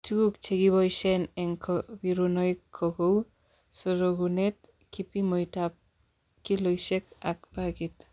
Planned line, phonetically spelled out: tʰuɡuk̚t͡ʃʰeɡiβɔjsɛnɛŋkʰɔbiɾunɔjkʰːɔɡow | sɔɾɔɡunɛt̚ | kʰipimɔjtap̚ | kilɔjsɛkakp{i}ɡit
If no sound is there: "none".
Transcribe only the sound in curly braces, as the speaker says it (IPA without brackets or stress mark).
a